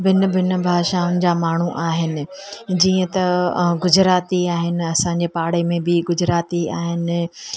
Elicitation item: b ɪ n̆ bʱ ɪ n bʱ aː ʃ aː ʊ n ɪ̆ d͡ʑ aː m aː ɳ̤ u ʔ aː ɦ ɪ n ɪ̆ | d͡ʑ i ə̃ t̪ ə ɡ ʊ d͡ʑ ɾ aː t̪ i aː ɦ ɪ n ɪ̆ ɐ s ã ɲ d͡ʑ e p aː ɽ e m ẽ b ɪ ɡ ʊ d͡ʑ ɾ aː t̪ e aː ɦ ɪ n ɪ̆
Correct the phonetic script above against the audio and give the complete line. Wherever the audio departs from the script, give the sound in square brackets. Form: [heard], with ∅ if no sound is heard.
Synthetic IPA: b ɪ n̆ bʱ ɪ n bʱ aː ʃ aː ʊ n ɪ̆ d͡ʑ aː m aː ɳ̤ u ʔ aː ɦ ɪ n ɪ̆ | d͡ʑ [iː] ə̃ t̪ [ɐ] ɡ ʊ d͡ʑ ɾ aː t̪ i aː ɦ ɪ n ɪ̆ ɐ s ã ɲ d͡ʑ e p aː ɽ e m ẽ b ɪ ɡ ʊ d͡ʑ ɾ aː t̪ [i] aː ɦ ɪ n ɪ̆